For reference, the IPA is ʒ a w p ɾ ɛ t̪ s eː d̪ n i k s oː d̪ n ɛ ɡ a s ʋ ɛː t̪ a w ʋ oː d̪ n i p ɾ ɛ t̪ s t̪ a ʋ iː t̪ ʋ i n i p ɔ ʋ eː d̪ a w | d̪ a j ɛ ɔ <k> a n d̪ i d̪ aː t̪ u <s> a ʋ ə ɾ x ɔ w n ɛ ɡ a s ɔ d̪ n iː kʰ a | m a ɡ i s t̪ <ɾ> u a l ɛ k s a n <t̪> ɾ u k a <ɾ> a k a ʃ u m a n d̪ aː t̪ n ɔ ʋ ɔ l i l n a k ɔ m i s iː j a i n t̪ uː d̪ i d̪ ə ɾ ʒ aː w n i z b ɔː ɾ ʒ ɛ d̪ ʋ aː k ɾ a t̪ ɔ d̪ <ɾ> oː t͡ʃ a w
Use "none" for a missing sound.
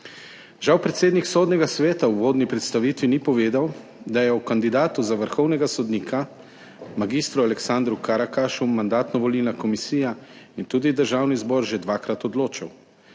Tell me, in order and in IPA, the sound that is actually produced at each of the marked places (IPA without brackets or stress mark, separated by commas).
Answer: k, z, ɾ, d̪, ɾ, l